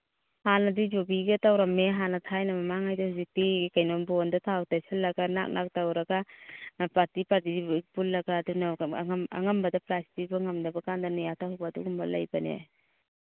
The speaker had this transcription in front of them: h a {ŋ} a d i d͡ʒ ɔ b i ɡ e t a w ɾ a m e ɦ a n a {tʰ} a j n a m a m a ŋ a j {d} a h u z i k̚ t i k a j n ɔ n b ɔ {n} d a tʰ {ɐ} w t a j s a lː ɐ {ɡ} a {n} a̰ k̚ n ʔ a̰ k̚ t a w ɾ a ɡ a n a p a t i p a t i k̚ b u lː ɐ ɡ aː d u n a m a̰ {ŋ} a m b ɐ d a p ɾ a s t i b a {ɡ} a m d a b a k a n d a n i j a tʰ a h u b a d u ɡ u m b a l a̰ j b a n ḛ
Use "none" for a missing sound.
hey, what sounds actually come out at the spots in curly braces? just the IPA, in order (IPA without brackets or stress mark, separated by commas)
n, tʰ, d, n, a, ɡ, n, ŋ, ŋ